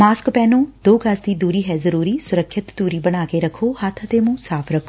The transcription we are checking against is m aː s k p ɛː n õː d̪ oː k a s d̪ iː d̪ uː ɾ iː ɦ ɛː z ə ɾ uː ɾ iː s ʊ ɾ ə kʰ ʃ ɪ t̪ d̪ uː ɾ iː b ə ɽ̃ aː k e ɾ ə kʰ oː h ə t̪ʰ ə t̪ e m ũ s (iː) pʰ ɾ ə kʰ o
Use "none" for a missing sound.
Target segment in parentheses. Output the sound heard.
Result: aː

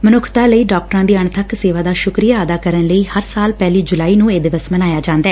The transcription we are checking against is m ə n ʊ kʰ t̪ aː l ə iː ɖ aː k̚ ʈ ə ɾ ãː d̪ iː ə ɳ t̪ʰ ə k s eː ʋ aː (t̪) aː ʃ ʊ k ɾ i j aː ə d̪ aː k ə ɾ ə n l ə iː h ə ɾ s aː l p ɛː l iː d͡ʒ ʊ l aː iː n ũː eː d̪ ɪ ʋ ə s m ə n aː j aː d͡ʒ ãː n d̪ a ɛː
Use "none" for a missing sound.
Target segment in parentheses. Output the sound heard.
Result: d̪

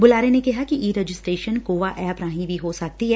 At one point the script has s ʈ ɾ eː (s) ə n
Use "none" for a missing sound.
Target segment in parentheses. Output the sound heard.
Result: ʃ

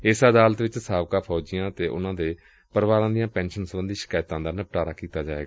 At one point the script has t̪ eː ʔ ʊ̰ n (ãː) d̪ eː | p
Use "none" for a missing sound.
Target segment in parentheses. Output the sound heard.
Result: ãː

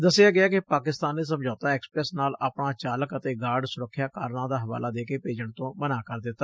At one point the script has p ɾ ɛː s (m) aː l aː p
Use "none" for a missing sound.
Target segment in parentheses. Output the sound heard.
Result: n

